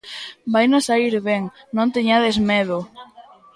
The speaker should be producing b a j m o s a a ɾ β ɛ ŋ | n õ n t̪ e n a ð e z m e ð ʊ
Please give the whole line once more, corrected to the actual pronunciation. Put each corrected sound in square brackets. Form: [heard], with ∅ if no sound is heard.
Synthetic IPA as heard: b a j [n] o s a [i] ɾ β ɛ ŋ | n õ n t̪ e [ɲ] a ð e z m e ð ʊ